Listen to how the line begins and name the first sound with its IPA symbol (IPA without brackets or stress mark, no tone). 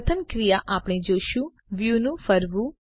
t̪ʰ